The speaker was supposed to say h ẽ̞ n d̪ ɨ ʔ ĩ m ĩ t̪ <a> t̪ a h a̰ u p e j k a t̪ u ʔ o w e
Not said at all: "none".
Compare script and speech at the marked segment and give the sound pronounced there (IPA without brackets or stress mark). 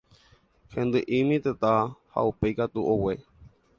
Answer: e